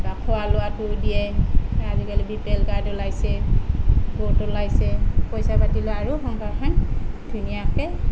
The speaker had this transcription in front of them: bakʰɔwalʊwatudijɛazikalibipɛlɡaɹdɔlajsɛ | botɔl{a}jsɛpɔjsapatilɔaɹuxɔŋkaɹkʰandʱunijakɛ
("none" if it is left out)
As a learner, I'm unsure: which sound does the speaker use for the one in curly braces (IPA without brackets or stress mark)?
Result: a